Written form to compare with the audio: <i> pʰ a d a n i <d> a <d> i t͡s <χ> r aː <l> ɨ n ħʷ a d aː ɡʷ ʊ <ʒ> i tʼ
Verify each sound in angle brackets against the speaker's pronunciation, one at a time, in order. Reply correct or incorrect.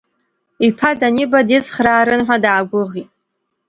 correct, incorrect, correct, correct, incorrect, incorrect

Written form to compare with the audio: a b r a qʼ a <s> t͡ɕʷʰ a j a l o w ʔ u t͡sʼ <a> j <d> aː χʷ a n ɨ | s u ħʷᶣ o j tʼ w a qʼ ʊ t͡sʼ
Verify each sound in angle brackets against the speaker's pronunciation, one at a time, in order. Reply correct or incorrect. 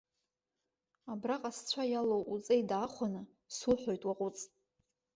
correct, incorrect, correct

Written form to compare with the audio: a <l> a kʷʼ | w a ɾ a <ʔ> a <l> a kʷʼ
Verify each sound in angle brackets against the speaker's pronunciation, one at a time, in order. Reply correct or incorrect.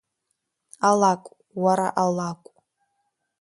correct, correct, correct

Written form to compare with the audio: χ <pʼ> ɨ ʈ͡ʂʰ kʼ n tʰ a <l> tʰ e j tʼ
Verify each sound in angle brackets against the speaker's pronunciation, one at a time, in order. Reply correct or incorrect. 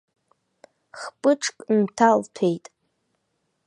correct, correct

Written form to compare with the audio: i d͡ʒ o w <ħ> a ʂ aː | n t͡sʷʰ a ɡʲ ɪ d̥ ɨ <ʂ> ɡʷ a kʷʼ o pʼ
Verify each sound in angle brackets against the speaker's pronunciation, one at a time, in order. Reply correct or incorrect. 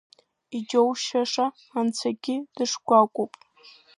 incorrect, correct

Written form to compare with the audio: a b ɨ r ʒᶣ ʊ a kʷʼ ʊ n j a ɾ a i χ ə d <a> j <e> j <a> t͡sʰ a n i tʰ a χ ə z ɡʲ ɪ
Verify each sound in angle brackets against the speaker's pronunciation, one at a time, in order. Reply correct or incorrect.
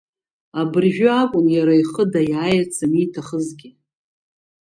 correct, incorrect, correct

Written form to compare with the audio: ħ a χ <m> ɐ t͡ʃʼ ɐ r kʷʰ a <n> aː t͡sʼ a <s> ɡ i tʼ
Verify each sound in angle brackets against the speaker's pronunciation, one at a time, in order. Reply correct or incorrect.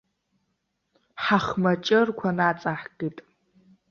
correct, correct, incorrect

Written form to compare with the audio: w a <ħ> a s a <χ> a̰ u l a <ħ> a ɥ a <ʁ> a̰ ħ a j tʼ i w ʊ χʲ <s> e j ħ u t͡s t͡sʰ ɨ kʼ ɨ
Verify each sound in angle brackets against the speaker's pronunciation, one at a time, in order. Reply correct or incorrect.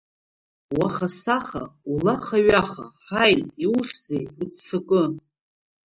incorrect, correct, incorrect, incorrect, incorrect

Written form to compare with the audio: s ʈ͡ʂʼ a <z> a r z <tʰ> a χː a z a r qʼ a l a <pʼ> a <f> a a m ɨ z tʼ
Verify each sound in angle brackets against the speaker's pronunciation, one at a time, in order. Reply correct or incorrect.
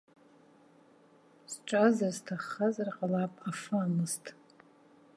correct, correct, correct, correct

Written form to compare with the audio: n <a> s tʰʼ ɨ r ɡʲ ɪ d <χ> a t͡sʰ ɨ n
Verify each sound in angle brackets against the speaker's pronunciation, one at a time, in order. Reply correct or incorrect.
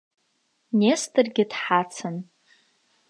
incorrect, incorrect

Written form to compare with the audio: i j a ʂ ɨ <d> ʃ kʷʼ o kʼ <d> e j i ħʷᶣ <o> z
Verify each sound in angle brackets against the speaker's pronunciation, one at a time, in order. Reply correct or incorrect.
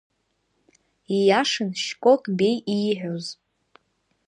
incorrect, incorrect, correct

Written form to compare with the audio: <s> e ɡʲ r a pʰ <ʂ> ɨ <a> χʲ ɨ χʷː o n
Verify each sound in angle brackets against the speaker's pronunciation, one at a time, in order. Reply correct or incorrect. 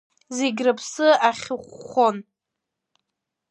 incorrect, incorrect, correct

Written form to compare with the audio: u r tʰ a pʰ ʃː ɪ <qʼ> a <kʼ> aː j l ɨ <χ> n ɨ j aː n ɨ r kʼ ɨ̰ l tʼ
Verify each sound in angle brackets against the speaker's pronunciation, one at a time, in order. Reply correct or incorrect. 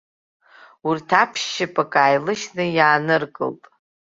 incorrect, correct, incorrect

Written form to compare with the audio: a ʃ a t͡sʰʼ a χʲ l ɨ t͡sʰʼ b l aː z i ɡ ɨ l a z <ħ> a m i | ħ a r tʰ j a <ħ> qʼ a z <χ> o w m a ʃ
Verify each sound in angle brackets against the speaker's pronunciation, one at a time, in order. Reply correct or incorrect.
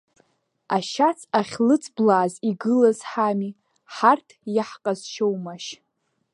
correct, correct, incorrect

